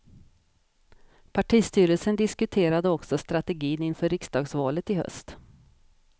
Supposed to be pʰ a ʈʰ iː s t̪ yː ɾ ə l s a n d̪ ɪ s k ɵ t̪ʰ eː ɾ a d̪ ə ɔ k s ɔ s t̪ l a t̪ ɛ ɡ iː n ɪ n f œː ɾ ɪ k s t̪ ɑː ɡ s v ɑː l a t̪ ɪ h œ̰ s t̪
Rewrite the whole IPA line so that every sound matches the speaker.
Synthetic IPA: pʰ a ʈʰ iː s t̪ yː ɾ ə l s ə n d̪ ɪ s k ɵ t̪ʰ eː ɾ a d̪ ə ɔ k s ɔ s t̪ ɾ a t̪ ɛ ɡ iː n ɪ n f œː ɾ ɪ k s d̪ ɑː ɡ s v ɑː l ə t̪ ɪ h œ̰ s t̪